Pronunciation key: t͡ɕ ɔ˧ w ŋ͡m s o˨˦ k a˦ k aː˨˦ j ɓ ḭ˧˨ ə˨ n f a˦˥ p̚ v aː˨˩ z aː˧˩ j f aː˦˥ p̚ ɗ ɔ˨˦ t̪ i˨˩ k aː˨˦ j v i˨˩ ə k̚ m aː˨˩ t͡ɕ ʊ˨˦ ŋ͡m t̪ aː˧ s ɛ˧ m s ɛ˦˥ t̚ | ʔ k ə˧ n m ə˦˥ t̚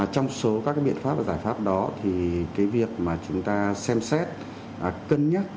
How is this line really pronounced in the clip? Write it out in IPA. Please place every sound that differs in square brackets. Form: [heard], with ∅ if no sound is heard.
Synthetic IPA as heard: t͡ɕ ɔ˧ w ŋ͡m s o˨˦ k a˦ k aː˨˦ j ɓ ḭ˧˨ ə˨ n f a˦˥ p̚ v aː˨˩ z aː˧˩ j f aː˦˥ p̚ ɗ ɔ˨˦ [t̪ʰ] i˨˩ k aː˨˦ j v i˨˩ ə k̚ m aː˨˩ t͡ɕ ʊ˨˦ ŋ͡m t̪ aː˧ s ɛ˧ m s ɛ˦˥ t̚ | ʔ k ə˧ n [ɲ] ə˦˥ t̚